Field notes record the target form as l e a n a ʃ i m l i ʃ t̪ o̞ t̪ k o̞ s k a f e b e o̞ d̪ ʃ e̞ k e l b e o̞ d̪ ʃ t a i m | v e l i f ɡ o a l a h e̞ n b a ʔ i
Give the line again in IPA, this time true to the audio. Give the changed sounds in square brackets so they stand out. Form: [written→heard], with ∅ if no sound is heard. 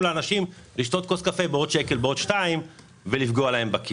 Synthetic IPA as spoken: l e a n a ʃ i m l i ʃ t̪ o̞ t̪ k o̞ s k a f e b e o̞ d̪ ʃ e̞ k e l b e o̞ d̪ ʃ t a i m | v e l i f ɡ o a l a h e̞ [n→m] b a [ʔ→k] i